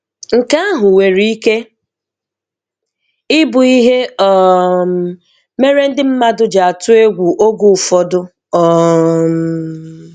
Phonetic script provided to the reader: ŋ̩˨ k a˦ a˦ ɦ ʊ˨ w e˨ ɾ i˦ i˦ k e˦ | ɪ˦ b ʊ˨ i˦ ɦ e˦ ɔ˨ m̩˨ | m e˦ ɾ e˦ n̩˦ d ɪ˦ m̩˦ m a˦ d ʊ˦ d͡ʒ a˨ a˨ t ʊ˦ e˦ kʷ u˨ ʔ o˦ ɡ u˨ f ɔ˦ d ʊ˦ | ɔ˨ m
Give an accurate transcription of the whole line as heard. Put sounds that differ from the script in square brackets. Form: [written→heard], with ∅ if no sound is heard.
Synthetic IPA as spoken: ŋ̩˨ k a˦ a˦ ɦ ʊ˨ w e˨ ɾ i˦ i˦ k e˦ | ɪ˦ b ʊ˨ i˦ ɦ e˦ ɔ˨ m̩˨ | m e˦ ɾ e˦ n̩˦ d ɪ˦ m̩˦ m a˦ d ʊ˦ d͡ʒ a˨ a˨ t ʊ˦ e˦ [kʷ→ɡʷ] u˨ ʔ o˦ ɡ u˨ f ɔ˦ d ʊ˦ | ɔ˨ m